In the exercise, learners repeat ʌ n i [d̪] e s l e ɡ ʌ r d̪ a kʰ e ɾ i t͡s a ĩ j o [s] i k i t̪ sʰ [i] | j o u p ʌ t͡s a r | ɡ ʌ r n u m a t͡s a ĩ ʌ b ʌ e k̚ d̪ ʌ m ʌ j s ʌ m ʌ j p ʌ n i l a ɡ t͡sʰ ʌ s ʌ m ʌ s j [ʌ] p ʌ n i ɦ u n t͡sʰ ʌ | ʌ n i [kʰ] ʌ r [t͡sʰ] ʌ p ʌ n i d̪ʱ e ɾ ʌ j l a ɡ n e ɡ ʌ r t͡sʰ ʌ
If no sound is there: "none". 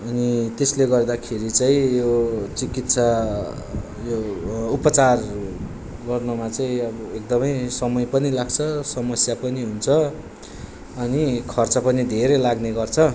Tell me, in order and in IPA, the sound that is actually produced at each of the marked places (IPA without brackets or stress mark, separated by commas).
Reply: t̪, t͡s, a, a, kʰ, t͡s